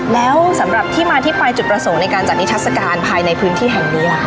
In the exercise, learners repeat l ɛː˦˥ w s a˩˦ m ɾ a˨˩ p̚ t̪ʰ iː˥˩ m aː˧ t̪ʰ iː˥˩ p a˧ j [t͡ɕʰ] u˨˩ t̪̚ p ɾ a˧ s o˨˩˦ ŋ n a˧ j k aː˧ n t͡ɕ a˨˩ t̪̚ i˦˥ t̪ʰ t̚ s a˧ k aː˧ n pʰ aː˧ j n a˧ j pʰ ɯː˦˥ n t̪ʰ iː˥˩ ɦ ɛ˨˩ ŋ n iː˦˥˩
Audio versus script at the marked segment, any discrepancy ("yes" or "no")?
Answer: yes